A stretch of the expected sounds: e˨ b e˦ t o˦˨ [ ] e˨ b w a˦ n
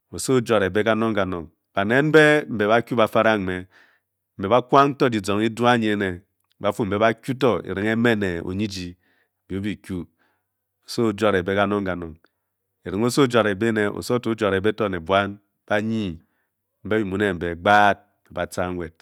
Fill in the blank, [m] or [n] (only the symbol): n